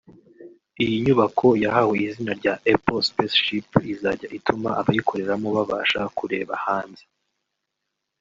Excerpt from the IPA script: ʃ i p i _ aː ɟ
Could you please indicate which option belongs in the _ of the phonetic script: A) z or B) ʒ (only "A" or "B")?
A